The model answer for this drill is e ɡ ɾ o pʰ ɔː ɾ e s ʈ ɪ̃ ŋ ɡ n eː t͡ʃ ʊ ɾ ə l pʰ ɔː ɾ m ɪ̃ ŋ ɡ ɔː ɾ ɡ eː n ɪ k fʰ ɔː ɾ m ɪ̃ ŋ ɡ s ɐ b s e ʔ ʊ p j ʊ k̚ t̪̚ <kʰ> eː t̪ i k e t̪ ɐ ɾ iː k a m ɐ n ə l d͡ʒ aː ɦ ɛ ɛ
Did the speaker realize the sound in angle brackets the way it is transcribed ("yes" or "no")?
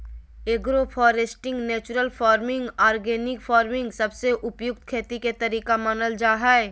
yes